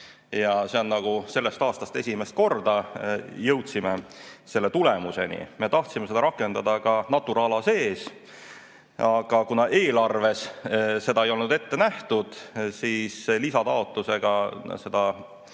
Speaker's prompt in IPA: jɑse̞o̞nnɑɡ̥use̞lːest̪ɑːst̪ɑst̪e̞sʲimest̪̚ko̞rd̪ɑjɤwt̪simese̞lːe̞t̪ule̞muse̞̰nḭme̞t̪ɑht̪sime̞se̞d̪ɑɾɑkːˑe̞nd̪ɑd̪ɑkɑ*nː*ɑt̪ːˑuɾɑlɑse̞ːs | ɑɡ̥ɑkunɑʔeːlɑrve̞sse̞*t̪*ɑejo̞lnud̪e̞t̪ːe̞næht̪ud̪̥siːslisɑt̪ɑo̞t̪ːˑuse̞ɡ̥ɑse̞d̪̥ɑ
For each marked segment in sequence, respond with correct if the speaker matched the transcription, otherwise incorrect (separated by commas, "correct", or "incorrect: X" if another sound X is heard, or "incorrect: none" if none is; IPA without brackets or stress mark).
incorrect: n, incorrect: d̪